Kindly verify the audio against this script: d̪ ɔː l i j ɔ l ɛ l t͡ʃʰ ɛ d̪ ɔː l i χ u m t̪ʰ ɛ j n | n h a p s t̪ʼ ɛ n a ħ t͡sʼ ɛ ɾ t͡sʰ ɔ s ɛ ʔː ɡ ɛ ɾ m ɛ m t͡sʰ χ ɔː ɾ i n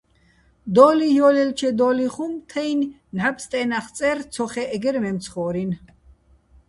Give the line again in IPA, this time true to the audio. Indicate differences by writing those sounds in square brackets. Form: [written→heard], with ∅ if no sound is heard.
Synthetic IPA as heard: d̪ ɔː l i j ɔ l ɛ l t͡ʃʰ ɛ d̪ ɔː l i χ u m t̪ʰ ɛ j n | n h a p s t̪ʼ ɛ n a [ħ→χ] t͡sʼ ɛ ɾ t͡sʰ ɔ [s→χ] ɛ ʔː ɡ ɛ ɾ m ɛ m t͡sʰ χ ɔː ɾ i n